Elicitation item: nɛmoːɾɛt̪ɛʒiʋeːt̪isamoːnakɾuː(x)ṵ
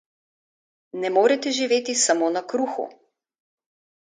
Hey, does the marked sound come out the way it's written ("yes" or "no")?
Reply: yes